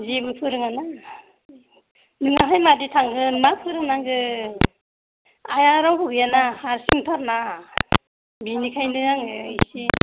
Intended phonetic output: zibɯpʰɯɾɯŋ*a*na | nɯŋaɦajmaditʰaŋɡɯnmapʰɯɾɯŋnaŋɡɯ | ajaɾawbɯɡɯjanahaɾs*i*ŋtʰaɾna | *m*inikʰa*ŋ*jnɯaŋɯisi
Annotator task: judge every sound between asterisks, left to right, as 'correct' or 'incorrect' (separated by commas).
correct, correct, incorrect, incorrect